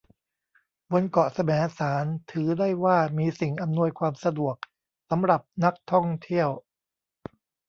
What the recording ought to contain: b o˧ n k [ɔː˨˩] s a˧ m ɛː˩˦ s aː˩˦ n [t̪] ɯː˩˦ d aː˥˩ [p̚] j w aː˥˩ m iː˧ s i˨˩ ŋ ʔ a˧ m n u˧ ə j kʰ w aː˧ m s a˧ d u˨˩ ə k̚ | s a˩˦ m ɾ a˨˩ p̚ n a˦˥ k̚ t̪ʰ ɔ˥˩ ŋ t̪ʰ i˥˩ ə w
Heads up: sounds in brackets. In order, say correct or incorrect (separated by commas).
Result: incorrect, incorrect, incorrect